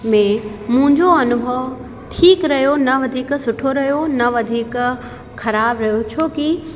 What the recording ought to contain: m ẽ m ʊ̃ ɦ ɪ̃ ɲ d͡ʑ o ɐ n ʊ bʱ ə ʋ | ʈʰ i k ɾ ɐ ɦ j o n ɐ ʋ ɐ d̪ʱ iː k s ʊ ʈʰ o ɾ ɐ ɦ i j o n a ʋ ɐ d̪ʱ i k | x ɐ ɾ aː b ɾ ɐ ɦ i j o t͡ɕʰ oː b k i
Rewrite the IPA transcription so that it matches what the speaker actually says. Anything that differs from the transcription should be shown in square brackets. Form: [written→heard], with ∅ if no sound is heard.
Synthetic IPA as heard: m ẽ m ʊ̃ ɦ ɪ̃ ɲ d͡ʑ o ɐ n ʊ bʱ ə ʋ | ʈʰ [i→iː] k ɾ ɐ ɦ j o n ɐ ʋ ɐ d̪ʱ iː k s ʊ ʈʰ o ɾ ɐ ɦ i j o n [a→ɐ] ʋ ɐ d̪ʱ [i→iː] k | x ɐ ɾ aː b ɾ ɐ ɦ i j o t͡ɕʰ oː [b→∅] k i

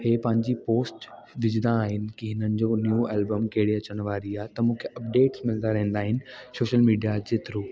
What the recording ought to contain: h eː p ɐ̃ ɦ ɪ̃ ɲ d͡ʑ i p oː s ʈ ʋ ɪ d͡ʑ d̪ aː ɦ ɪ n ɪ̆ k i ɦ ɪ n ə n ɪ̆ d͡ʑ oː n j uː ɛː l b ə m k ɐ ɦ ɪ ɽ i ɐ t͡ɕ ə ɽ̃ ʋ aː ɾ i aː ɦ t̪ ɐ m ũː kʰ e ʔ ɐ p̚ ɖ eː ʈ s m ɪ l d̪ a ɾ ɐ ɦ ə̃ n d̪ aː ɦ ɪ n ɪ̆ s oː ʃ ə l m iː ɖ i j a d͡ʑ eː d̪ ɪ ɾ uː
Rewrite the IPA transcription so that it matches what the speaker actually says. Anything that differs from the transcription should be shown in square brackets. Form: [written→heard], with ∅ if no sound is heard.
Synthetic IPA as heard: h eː p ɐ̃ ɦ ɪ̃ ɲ d͡ʑ i p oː s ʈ ʋ ɪ d͡ʑ d̪ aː ɦ ɪ n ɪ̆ k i ɦ ɪ n ə n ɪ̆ d͡ʑ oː n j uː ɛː l b ə m k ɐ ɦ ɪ ɽ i ɐ t͡ɕ ə ɽ̃ ʋ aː ɾ i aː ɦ t̪ ɐ m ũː kʰ e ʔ ɐ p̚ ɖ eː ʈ s m ɪ l d̪ a ɾ ɐ ɦ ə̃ n d̪ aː ɦ ɪ n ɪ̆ s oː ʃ ə l m iː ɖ i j a d͡ʑ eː [d̪→t̪] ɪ ɾ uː

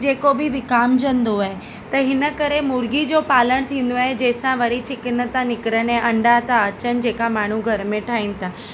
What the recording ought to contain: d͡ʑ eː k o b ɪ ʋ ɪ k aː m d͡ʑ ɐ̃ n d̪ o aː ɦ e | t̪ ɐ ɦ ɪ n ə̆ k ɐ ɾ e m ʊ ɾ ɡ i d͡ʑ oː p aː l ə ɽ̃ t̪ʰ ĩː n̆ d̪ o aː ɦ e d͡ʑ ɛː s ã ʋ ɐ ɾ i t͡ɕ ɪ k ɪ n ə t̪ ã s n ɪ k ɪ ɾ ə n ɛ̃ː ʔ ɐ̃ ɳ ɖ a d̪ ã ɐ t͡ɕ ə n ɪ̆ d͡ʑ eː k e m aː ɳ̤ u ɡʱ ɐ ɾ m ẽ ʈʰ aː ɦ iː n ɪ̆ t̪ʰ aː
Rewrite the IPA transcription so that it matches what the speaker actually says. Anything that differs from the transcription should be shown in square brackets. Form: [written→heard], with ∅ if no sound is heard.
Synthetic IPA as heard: d͡ʑ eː k o b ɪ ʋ ɪ k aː m d͡ʑ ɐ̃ n d̪ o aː ɦ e | t̪ ɐ ɦ ɪ n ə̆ k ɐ ɾ e m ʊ ɾ ɡ i d͡ʑ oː p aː l ə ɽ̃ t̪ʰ ĩː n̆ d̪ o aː ɦ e d͡ʑ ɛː s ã ʋ ɐ ɾ i t͡ɕ ɪ k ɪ n ə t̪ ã [s→∅] n ɪ k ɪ ɾ ə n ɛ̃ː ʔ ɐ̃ ɳ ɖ a [d̪→t̪] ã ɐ t͡ɕ ə n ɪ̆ d͡ʑ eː k [e→a] m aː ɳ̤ u ɡʱ ɐ ɾ m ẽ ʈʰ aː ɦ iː n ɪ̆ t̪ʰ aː

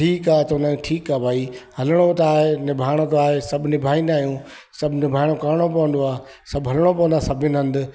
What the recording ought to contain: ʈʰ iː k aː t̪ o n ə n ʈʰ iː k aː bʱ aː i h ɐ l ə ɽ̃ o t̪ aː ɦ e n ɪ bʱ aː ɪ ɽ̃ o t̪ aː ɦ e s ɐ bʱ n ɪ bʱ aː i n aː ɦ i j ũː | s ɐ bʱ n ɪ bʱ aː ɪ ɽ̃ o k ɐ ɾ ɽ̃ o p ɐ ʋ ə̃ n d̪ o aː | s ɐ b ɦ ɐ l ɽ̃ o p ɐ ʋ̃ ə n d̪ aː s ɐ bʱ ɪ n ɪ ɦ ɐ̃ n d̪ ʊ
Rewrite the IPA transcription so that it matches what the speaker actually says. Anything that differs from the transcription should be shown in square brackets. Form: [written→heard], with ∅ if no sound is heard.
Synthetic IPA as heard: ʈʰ iː k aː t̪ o n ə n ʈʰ iː k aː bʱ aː i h ɐ l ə ɽ̃ o t̪ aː ɦ e n ɪ bʱ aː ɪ ɽ̃ o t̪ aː ɦ e s ɐ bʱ n ɪ bʱ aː i n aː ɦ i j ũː | s ɐ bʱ n ɪ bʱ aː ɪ ɽ̃ o k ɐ ɾ ɽ̃ o p ɐ ʋ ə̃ n d̪ o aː | s ɐ b ɦ ɐ l ɽ̃ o p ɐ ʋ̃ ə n d̪ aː s ɐ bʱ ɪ n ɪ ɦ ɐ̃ n d̪ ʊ

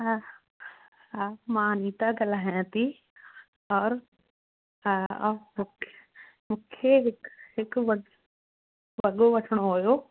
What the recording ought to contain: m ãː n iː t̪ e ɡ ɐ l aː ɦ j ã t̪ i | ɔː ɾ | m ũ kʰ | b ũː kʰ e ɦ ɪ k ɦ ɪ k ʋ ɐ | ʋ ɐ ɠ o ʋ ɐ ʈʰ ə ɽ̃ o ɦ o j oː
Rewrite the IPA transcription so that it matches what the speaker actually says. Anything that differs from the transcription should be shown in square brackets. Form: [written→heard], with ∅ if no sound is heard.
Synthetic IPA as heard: m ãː n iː t̪ [e→a] ɡ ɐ l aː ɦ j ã t̪ i | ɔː ɾ | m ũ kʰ | [b→m] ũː kʰ e ɦ ɪ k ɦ ɪ k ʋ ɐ | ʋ ɐ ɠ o ʋ ɐ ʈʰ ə ɽ̃ o ɦ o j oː

